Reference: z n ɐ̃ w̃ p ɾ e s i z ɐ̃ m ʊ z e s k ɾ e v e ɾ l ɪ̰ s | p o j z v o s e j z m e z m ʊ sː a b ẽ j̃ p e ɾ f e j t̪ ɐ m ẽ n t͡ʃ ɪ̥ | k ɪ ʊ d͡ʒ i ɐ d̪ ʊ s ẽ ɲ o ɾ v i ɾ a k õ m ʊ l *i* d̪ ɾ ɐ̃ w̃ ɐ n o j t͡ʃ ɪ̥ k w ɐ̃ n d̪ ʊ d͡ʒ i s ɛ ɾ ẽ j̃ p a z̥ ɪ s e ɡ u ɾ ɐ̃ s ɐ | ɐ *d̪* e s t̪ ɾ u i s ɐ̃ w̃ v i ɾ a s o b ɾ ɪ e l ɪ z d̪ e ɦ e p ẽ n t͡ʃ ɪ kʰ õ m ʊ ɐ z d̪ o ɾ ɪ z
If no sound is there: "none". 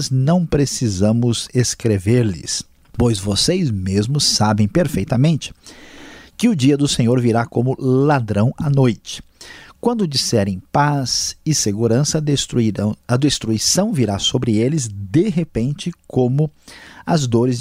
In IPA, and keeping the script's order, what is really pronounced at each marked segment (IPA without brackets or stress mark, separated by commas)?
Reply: a, d̪